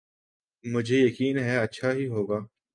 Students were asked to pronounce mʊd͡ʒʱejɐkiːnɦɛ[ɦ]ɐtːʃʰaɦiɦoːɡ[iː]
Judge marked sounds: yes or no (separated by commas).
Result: no, no